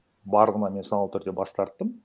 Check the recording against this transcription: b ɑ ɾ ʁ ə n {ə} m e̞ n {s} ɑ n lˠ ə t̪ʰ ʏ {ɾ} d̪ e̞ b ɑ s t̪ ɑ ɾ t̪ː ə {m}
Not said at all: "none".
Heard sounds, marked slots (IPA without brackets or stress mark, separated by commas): ɑ, s, ɾ, m